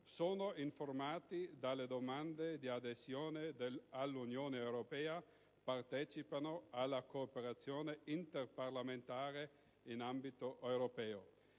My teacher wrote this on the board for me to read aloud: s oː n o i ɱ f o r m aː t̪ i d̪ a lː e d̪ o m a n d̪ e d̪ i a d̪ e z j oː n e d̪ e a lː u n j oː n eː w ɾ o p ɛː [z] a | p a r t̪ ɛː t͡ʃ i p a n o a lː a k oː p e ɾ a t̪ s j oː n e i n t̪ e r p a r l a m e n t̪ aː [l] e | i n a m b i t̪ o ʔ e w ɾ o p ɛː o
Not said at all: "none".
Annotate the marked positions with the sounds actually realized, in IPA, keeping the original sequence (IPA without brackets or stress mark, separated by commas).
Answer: none, ɾ